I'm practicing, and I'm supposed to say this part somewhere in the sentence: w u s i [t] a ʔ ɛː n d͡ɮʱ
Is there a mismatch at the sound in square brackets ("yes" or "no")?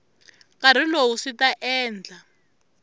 no